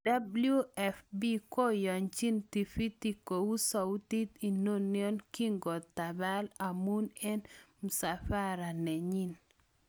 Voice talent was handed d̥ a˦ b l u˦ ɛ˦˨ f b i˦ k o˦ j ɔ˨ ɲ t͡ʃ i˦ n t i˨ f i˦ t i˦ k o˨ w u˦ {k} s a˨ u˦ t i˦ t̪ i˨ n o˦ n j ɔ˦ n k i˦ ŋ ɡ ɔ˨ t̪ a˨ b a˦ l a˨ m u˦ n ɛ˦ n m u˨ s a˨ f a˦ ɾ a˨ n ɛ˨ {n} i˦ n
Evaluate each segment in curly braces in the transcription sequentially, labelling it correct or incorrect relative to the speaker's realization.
incorrect, incorrect

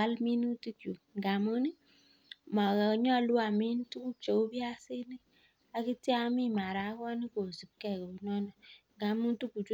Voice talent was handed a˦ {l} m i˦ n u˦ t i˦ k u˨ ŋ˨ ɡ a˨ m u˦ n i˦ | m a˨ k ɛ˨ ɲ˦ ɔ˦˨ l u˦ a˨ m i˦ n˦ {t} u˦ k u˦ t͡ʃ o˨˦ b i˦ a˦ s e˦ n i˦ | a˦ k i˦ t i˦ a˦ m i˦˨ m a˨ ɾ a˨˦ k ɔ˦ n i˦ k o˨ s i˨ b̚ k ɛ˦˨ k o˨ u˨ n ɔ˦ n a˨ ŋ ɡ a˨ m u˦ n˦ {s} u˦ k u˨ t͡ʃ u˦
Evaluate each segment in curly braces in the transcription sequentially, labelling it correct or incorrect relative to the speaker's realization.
correct, correct, incorrect

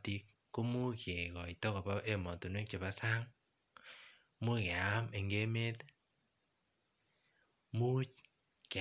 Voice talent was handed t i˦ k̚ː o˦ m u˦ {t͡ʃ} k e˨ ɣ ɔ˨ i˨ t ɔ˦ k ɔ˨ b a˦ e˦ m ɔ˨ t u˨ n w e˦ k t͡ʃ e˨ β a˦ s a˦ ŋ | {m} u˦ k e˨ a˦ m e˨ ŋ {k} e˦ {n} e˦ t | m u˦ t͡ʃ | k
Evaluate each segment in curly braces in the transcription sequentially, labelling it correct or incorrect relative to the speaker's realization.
incorrect, correct, incorrect, incorrect

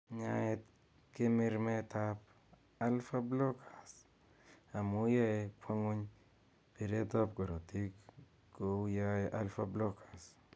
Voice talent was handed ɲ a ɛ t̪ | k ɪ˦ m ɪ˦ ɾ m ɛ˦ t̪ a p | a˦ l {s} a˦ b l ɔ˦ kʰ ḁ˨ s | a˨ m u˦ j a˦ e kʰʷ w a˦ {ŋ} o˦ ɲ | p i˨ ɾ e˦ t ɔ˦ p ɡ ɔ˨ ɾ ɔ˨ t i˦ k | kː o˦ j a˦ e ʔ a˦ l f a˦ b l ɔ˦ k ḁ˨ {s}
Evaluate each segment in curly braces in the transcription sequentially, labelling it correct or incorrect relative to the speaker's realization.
incorrect, correct, correct

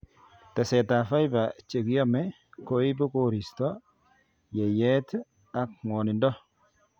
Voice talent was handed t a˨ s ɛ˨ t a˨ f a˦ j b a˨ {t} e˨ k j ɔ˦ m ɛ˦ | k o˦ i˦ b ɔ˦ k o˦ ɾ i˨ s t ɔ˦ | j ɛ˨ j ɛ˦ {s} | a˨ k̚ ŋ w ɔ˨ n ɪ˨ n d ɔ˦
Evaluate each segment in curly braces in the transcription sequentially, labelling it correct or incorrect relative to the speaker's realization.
incorrect, incorrect

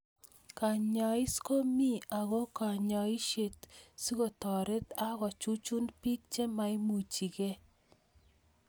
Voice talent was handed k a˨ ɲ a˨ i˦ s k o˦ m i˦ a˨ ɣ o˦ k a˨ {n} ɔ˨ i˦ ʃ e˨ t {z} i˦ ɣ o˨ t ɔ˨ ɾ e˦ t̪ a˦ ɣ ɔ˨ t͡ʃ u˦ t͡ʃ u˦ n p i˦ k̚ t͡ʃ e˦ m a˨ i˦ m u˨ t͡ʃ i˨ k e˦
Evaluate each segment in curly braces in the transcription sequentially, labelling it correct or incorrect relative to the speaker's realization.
incorrect, incorrect

